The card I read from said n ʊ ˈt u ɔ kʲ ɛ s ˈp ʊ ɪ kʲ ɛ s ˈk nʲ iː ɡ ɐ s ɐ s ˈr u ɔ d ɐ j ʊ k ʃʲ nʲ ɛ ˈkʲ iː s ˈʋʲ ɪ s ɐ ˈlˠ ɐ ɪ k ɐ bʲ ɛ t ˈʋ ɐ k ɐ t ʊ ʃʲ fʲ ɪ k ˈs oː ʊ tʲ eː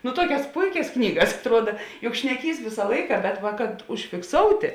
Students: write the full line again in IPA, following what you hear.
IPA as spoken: n ʊ ˈt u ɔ kʲ ɛ s ˈp ʊ ɪ kʲ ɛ s ˈk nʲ iː ɡ ɐ s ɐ t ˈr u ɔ d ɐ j ʊ k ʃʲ nʲ ɛ ˈkʲ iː s ˈʋʲ ɪ s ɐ ˈlˠ ɐ ɪ k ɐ bʲ ɛ t ˈʋ ɐ k ɐ t ʊ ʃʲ fʲ ɪ k ˈs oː ʊ tʲ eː